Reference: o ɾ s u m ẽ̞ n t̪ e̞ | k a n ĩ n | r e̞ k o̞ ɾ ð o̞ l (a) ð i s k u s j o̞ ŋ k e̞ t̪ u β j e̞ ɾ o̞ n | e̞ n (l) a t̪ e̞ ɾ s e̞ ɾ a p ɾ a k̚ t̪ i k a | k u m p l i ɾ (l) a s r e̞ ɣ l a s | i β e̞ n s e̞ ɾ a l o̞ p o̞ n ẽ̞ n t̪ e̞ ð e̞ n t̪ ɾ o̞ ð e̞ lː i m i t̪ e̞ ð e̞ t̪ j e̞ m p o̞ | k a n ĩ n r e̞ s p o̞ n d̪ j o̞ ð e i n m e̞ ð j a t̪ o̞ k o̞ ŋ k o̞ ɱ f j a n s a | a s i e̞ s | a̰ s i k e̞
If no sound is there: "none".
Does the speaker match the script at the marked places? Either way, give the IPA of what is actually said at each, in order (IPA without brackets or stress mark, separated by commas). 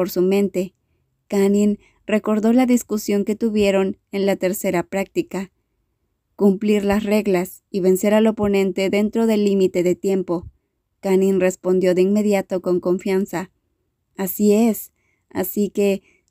a, l, l